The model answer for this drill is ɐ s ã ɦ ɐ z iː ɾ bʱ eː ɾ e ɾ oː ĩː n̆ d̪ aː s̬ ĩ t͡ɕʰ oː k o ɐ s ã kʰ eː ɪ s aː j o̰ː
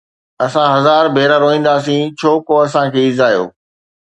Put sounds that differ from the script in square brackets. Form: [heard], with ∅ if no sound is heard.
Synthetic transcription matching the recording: ɐ s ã ɦ ɐ z [aː] ɾ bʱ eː ɾ [a] ɾ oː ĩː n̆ d̪ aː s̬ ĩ t͡ɕʰ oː k o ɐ s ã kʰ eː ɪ [z] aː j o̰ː